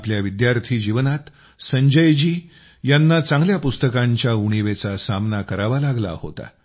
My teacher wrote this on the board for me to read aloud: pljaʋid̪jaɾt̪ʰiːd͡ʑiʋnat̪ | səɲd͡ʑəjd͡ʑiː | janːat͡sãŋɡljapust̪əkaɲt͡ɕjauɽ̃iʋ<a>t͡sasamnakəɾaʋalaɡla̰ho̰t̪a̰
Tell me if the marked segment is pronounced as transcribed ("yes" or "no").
no